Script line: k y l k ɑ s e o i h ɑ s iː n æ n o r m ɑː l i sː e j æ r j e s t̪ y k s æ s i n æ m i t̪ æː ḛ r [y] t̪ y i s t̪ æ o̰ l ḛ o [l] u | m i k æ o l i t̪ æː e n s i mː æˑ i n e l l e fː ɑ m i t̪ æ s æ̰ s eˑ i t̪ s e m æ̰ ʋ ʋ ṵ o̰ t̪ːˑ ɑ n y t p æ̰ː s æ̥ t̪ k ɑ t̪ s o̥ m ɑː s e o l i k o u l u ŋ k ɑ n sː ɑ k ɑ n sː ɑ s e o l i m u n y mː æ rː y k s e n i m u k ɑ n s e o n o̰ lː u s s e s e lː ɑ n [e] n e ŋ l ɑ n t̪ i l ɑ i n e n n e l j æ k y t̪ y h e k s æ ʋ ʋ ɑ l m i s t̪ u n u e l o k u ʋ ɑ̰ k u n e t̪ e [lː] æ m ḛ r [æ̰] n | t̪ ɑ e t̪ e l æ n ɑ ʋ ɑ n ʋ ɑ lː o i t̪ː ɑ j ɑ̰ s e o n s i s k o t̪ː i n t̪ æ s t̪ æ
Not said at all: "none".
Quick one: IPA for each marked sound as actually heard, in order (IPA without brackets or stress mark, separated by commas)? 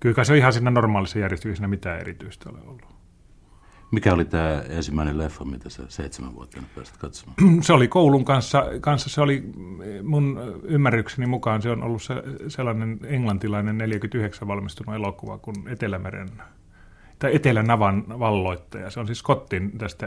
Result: i, lː, e, l, ḛ